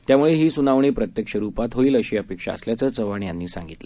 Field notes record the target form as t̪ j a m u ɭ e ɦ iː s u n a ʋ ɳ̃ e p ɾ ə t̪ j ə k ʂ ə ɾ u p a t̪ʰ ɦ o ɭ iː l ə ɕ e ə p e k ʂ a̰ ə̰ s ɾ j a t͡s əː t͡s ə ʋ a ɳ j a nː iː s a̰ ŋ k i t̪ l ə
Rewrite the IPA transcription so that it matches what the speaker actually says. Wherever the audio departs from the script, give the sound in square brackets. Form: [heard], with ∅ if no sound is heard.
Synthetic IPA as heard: t̪ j a m u ɭ e ɦ iː s u n a ʋ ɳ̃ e p ɾ ə t̪ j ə k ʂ ə ɾ u p a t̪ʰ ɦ o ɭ iː l ə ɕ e ə p e k ʂ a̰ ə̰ s [l] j a t͡s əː t͡s ə ʋ a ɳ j a nː iː s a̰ ŋ [ɡ] i t̪ l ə